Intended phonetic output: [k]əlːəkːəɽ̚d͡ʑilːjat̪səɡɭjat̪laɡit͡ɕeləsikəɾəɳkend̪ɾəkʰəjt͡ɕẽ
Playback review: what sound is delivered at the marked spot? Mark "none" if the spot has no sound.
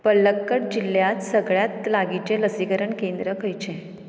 p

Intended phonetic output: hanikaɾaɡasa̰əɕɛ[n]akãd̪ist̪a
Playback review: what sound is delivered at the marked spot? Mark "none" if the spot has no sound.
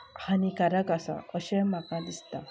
m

